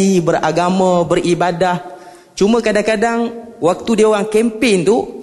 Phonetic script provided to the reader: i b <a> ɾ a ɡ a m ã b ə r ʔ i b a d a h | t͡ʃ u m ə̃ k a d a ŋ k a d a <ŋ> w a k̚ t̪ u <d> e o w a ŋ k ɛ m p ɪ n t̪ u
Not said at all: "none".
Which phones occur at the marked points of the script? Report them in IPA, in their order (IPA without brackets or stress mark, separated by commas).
ə, ŋ, d